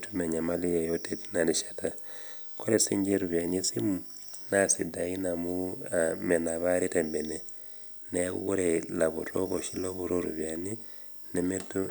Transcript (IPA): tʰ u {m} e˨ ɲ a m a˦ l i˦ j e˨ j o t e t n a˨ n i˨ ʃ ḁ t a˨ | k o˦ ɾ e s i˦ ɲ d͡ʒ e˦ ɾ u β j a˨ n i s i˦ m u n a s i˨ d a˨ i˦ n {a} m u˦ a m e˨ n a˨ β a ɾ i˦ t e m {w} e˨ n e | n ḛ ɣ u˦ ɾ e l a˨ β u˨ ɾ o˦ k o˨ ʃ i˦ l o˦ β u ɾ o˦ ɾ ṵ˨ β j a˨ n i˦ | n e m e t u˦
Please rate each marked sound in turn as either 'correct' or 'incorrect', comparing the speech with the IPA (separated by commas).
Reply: correct, correct, incorrect